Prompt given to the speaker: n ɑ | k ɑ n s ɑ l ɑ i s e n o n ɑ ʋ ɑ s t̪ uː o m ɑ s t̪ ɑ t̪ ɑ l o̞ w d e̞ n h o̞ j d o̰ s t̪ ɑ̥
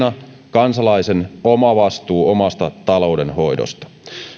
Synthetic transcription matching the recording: n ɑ | k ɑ n s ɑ l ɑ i s e n o m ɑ ʋ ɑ s t̪ uː o m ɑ s t̪ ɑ t̪ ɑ l o̞ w d e̞ n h o̞ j d o̰ s t̪ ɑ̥